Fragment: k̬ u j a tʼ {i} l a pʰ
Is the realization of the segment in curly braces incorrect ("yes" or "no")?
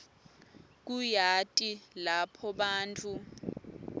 no